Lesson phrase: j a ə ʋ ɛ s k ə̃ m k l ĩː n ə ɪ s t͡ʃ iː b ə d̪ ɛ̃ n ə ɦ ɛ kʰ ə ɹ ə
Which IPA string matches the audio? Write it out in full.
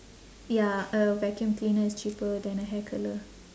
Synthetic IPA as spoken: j a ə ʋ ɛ k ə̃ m k l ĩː n ə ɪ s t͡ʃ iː p ə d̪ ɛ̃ n ə ɦ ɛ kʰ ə l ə